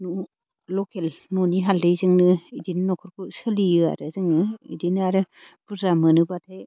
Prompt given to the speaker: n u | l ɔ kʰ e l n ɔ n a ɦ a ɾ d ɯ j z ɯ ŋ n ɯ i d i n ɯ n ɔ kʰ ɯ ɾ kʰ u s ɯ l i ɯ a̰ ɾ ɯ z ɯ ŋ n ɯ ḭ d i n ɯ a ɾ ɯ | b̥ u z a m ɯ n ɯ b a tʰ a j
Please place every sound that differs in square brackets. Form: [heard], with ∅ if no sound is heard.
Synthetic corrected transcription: n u | l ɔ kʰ e l n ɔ n [i] ɦ a [l] d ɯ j z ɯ ŋ n ɯ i d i n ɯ n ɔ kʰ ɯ ɾ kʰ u s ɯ l i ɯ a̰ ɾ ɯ z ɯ ŋ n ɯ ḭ d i n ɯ a ɾ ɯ | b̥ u z a m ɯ n ɯ b a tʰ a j